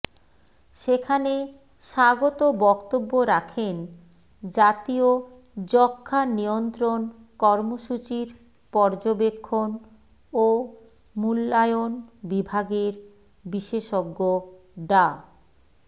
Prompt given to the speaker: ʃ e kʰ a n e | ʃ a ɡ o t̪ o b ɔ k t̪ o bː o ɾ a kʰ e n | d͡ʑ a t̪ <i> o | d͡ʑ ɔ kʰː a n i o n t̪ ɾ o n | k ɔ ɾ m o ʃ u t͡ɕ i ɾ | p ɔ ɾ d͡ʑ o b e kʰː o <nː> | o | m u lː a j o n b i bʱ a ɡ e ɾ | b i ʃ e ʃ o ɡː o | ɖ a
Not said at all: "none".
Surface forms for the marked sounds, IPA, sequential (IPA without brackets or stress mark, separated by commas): i, n